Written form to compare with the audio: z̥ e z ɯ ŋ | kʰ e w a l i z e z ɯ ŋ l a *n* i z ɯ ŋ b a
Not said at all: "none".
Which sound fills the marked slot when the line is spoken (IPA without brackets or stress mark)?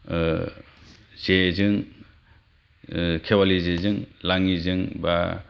ŋ